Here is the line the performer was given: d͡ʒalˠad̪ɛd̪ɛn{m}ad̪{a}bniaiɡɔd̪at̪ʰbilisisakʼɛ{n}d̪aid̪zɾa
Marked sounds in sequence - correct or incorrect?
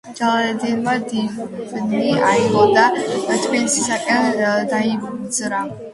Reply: correct, incorrect: i, correct

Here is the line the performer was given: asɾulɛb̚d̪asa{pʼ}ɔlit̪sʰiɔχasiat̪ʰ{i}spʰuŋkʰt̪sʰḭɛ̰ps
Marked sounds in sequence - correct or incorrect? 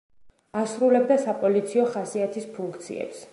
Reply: correct, correct

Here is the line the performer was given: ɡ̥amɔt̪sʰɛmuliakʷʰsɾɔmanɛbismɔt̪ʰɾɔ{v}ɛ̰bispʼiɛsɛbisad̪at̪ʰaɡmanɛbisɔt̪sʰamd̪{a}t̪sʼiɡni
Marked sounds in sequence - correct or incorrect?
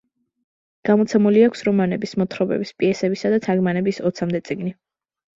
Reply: incorrect: b, incorrect: ɛ

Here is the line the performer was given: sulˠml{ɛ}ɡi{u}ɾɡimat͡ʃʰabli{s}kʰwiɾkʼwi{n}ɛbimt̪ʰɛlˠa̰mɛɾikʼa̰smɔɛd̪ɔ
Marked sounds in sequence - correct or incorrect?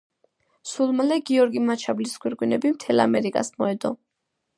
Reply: correct, incorrect: ɔ, correct, correct

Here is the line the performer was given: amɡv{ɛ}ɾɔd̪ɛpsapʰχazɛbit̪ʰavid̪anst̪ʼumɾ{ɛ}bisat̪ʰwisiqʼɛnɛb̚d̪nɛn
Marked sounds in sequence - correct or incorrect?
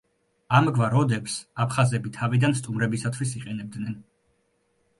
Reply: incorrect: a, correct

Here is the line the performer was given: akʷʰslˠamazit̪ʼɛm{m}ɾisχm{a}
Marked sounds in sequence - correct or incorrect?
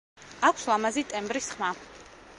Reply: incorrect: b, correct

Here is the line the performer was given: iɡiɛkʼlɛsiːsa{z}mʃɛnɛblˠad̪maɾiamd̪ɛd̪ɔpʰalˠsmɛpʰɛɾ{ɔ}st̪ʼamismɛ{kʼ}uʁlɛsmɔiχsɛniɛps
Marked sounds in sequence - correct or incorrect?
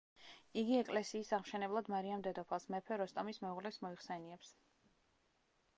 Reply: incorrect: ʁ, correct, incorrect: none

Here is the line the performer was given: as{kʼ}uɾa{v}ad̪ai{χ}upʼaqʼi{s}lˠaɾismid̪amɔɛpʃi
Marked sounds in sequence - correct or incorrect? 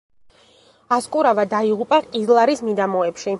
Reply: correct, correct, incorrect: ʁ, incorrect: z

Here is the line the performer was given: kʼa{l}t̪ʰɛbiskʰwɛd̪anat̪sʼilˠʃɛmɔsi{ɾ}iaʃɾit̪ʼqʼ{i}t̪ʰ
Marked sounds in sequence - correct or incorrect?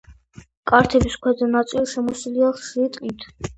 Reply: incorrect: ɾ, incorrect: l, correct

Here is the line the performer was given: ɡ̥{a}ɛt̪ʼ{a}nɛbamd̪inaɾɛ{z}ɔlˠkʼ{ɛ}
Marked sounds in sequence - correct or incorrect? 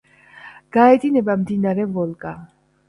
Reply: correct, incorrect: i, incorrect: v, incorrect: a

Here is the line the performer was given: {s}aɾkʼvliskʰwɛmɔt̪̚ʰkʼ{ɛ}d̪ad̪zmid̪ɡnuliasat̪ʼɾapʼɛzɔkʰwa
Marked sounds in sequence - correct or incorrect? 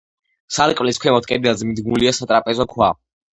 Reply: correct, correct

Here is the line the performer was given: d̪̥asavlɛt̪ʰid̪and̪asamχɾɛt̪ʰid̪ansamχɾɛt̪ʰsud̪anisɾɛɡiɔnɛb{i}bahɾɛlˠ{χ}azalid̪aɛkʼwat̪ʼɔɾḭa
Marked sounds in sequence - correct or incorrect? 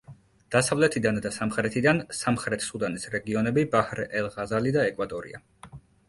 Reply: correct, incorrect: ʁ

